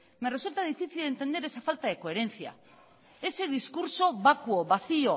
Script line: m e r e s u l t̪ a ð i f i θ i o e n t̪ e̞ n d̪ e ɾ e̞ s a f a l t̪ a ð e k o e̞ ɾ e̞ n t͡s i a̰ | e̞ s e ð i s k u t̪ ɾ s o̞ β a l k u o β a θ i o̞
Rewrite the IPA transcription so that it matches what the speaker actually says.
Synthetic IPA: m e r e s u l t̪ a ð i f i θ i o e n t̪ e̞ n d̪ e ɾ e̞ s a f a l t̪ a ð e k o e̞ ɾ e̞ n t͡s i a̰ | e̞ s e ð i s k u ɾ s o̞ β a k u o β a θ i o̞